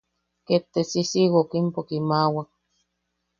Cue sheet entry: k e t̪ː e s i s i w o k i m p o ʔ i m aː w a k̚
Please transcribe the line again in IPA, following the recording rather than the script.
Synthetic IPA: k e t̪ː e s i s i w o k i m p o k i m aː w a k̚